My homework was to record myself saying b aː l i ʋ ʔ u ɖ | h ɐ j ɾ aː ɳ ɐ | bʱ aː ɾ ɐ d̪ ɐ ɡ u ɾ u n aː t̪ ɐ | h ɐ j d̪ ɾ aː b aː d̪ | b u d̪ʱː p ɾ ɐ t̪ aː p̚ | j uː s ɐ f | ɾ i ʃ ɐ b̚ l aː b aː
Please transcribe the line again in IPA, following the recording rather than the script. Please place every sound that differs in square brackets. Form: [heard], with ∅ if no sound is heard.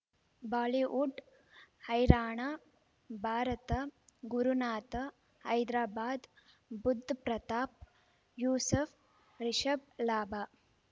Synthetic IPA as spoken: b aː l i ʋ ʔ u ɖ | h ɐ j ɾ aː ɳ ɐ | bʱ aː ɾ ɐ [t̪] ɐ ɡ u ɾ u n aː t̪ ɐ | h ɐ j d̪ ɾ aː b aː d̪ | b u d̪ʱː p ɾ ɐ t̪ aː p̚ | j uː s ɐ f | ɾ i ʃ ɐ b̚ l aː b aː